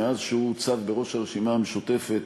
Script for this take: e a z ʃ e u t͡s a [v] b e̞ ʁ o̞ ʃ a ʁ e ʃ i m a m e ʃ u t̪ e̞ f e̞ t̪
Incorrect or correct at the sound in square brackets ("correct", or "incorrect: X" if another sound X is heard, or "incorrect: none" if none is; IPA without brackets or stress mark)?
correct